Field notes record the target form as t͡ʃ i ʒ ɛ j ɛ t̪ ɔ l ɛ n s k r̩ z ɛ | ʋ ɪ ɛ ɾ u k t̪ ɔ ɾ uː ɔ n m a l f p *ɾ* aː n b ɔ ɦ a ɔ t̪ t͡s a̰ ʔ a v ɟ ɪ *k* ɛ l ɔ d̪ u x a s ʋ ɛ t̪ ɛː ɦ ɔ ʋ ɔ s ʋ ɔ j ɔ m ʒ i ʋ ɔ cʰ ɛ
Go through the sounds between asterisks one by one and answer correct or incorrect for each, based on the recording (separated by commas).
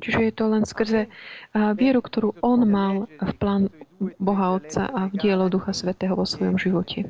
incorrect, incorrect